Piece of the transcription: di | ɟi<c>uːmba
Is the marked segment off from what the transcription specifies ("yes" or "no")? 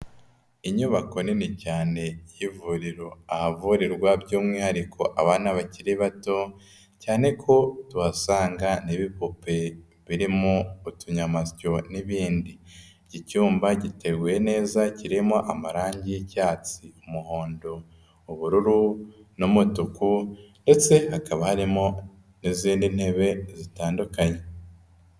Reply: no